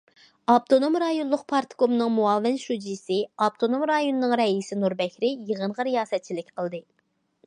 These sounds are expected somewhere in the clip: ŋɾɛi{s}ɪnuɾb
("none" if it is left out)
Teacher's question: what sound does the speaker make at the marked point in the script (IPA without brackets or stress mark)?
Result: s